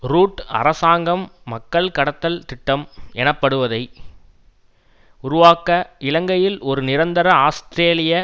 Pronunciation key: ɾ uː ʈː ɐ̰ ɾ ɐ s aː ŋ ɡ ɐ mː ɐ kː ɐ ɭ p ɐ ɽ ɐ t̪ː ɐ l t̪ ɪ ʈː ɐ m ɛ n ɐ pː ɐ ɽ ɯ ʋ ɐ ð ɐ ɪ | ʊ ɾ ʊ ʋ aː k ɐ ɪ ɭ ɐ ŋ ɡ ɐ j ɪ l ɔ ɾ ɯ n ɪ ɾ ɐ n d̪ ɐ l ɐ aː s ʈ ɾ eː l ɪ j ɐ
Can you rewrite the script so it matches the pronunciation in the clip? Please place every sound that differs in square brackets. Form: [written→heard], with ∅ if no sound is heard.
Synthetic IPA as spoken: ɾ uː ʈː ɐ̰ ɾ ɐ s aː ŋ ɡ ɐ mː ɐ kː ɐ ɭ [p→k] ɐ ɽ ɐ t̪ː ɐ l t̪ ɪ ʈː ɐ m ɛ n ɐ pː ɐ ɽ ɯ ʋ ɐ ð ɐ ɪ | ʊ ɾ ʊ ʋ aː k ɐ ɪ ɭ ɐ ŋ ɡ ɐ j ɪ l ɔ ɾ ɯ n ɪ ɾ ɐ n d̪ ɐ [l→ɾ] ɐ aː s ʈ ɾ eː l ɪ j ɐ